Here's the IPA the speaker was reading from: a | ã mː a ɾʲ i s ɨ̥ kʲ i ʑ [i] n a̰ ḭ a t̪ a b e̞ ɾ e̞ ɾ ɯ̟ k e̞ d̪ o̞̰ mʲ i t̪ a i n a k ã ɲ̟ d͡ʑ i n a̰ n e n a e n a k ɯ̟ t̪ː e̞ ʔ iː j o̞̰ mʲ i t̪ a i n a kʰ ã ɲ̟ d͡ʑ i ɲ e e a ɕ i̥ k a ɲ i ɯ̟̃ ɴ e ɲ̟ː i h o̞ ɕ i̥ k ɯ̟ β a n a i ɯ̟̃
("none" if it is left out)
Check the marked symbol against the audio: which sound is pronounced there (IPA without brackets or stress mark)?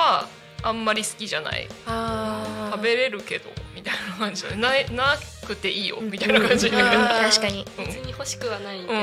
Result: a